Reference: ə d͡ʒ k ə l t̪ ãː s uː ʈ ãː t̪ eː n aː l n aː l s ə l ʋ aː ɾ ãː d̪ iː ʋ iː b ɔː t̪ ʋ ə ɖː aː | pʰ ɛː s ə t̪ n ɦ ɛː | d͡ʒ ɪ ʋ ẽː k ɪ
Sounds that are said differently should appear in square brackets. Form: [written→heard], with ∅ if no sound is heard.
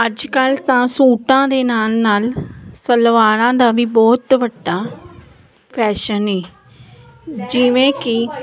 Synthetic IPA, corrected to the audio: ə d͡ʒ k ə l t̪ ãː s uː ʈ ãː [t̪→d̪] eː n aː l n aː l s ə l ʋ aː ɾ ãː d̪ [iː→aː] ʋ iː b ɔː t̪ ʋ ə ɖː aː | pʰ ɛː [s→ʃ] ə [t̪→∅] n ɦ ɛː | d͡ʒ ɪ ʋ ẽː k ɪ